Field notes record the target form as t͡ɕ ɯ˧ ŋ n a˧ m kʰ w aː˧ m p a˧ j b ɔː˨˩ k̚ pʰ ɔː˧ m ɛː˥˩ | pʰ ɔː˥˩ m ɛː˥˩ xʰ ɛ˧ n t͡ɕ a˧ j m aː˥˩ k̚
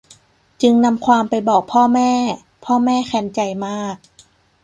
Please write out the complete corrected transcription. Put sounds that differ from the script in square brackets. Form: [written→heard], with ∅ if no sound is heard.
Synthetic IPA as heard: t͡ɕ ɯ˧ ŋ n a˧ m kʰ w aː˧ m p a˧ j b ɔː˨˩ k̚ pʰ [ɔː˧→ɔː˥˩] m ɛː˥˩ | pʰ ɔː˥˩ m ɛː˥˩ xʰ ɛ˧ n t͡ɕ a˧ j m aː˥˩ k̚